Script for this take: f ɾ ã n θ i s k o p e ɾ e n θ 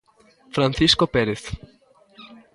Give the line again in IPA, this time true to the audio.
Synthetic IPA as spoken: f ɾ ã n θ i s k o p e ɾ e θ